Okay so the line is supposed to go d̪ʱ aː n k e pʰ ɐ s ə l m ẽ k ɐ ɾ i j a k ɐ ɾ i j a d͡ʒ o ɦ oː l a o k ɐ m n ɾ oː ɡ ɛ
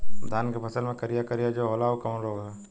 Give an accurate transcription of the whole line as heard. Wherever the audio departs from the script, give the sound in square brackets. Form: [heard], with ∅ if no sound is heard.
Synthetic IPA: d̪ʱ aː n k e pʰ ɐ s ə l m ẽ k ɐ ɾ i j a k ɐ ɾ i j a d͡ʒ o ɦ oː l a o k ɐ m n ɾ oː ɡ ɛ